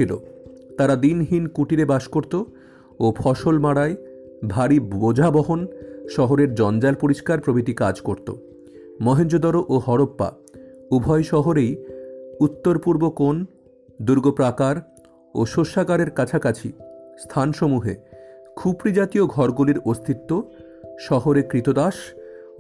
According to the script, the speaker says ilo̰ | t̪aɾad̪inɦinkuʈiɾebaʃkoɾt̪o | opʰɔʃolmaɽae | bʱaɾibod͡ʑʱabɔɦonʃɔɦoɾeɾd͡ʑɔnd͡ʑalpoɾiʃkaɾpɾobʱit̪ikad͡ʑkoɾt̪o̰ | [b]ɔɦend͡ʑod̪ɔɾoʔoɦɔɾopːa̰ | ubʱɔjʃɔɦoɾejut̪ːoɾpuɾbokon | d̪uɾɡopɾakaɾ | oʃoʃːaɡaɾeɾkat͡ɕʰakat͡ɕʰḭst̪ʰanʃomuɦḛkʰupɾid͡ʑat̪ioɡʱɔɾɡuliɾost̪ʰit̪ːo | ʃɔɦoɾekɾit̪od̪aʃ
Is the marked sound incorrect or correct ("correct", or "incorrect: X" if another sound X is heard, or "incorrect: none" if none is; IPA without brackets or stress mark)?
incorrect: m